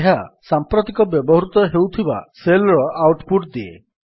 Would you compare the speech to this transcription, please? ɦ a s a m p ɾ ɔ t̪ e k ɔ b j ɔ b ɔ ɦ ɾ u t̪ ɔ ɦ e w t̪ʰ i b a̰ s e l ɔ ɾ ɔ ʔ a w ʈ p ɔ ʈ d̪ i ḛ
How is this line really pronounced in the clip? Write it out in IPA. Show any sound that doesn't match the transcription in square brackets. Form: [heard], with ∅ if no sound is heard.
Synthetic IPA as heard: ɦ a s a m p ɾ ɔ t̪ [i] k ɔ b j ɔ b ɔ ɦ ɾ u t̪ ɔ ɦ e w t̪ʰ i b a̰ s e l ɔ ɾ ɔ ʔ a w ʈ p [u] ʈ d̪ i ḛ